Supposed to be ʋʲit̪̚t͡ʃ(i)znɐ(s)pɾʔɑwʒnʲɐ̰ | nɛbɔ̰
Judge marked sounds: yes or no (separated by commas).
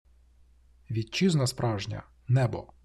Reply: yes, yes